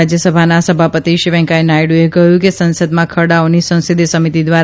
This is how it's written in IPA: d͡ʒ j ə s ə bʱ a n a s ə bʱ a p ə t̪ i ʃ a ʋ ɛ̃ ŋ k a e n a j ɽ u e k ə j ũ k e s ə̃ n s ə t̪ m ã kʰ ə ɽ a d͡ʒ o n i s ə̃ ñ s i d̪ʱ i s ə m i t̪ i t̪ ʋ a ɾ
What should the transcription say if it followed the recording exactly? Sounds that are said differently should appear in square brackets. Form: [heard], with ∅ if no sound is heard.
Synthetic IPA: d͡ʒ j ə s ə bʱ a n a s ə bʱ a p ə t̪ i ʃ [i] ʋ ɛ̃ ŋ k a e n a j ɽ u e k ə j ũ k e s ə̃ n s ə [d̪] m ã kʰ ə ɽ a [∅] o n i s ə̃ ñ s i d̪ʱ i s ə m i t̪ i [d̪] ʋ a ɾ